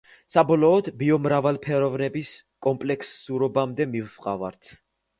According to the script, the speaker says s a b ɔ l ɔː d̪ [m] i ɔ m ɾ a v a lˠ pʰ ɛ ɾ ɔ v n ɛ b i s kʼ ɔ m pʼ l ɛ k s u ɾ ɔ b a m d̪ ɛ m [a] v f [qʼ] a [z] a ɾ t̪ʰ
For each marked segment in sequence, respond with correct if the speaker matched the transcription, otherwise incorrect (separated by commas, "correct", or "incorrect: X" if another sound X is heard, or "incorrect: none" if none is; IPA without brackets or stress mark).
incorrect: b, incorrect: i, correct, incorrect: v